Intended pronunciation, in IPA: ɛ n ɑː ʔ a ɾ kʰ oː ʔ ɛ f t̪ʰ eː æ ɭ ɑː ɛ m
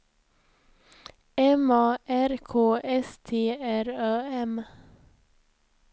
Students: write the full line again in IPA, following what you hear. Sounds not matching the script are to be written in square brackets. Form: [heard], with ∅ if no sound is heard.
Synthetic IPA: ɛ [m] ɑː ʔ [æ] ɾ kʰ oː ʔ ɛ [s] t̪ʰ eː æ [ɾ] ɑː ɛ m